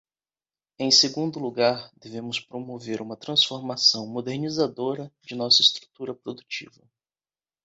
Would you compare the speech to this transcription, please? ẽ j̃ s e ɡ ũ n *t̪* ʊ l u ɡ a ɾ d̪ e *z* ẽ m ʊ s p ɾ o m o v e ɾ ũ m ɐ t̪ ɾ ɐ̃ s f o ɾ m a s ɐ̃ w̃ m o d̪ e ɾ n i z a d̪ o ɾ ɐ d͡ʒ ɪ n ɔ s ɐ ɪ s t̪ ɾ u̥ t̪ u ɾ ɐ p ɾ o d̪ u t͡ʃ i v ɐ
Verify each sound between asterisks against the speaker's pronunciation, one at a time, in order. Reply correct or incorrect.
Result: incorrect: d̪, incorrect: v

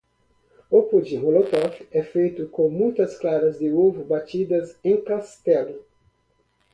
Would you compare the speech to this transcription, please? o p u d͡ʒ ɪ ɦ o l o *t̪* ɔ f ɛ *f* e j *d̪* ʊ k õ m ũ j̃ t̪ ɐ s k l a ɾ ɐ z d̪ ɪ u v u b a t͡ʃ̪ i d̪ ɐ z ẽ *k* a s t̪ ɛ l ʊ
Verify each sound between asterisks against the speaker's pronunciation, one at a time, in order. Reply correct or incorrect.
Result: correct, correct, incorrect: t̪, correct

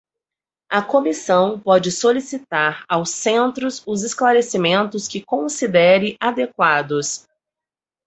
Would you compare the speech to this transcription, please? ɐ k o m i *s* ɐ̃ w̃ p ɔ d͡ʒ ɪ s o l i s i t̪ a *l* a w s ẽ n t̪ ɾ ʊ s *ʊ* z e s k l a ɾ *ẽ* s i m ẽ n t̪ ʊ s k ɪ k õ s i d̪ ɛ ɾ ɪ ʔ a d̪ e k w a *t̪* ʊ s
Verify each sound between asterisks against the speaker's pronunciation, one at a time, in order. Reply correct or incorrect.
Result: correct, incorrect: ɾ, correct, incorrect: e, incorrect: d̪

